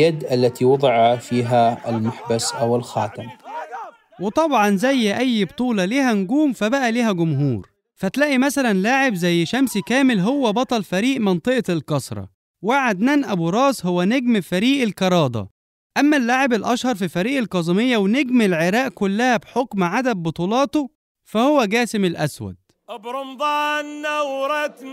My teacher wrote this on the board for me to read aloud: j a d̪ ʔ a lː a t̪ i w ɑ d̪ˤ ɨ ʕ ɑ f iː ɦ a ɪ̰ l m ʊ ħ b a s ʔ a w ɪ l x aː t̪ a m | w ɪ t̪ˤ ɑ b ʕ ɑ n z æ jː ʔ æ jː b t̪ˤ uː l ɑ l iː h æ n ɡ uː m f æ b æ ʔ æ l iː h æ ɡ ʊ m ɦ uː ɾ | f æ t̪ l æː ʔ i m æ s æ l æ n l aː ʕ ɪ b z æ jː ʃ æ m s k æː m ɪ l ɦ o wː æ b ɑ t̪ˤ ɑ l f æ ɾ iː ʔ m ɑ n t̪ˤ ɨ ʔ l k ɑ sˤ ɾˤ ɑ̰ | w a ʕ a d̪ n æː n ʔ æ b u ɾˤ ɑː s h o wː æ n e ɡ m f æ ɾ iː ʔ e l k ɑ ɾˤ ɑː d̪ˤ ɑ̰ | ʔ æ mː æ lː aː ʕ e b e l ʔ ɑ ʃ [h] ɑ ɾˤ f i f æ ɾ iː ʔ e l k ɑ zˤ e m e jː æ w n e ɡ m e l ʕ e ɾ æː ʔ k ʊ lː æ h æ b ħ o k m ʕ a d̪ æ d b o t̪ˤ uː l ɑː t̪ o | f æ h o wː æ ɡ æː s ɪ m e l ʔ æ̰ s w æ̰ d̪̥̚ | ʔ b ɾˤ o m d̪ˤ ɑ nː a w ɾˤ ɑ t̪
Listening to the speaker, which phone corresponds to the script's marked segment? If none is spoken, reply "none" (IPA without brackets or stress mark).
h